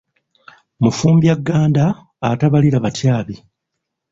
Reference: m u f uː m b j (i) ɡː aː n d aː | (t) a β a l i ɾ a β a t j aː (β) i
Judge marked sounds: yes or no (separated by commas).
no, yes, yes